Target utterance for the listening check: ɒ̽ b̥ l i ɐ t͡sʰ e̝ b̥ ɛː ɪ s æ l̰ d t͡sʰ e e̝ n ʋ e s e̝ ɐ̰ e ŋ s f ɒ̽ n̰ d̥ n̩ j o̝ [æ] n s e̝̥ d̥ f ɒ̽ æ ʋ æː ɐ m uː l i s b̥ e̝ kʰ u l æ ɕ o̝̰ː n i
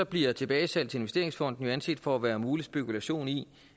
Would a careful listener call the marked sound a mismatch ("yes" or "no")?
no